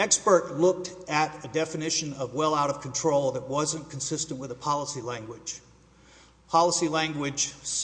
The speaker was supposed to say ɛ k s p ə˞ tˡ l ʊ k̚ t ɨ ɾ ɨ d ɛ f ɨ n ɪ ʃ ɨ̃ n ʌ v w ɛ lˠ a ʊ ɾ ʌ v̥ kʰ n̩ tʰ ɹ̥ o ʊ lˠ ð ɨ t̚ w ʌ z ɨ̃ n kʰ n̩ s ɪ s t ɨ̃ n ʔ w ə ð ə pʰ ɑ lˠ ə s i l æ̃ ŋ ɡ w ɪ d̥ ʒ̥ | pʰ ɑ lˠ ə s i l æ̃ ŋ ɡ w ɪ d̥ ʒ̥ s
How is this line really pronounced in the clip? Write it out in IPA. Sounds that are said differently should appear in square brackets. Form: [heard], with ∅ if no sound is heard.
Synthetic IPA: ɛ k s p ə˞ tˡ l ʊ k̚ t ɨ ɾ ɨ d ɛ f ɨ n ɪ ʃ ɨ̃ n ʌ v w ɛ lˠ a ʊ ɾ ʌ v̥ kʰ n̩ tʰ ɹ̥ o ʊ lˠ ð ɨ t̚ w ʌ z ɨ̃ n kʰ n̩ s ɪ s t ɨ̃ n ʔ w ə ð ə pʰ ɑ lˠ ə s i l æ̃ ŋ ɡ w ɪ d̥ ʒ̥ | pʰ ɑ lˠ ə s i l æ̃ ŋ ɡ w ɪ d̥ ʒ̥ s